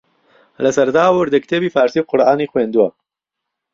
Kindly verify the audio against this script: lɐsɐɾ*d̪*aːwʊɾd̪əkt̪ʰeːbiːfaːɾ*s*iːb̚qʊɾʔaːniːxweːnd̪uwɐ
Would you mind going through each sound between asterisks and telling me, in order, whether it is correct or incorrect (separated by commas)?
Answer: correct, correct